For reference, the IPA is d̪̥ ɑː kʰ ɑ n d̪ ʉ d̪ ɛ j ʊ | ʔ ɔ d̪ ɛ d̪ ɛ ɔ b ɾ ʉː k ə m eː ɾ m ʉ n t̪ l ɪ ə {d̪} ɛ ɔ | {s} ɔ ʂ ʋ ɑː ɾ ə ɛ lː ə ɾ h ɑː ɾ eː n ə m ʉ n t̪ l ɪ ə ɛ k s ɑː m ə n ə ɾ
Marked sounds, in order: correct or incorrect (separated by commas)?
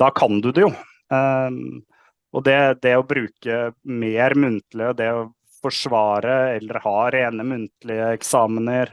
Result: correct, incorrect